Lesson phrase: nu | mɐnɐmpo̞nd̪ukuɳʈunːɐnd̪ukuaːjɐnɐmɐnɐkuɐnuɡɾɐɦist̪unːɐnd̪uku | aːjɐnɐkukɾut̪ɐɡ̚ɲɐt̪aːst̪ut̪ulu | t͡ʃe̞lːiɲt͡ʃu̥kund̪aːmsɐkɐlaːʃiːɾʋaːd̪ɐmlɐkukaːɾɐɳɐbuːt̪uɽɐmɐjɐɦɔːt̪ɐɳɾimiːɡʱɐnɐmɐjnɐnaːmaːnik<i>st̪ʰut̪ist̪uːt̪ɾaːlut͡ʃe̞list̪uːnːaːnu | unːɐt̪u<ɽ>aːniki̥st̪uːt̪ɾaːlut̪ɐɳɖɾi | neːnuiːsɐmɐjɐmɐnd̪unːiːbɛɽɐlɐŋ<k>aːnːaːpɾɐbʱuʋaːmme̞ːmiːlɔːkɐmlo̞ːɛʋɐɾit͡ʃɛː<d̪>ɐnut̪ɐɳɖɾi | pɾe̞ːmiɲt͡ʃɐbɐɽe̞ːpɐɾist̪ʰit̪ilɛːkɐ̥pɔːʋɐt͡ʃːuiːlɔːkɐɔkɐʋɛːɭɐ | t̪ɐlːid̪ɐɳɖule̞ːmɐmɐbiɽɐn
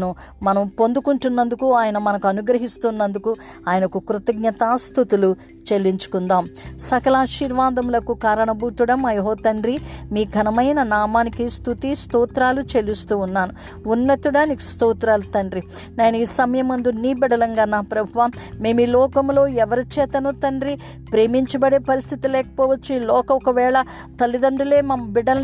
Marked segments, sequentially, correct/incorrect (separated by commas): correct, correct, incorrect, incorrect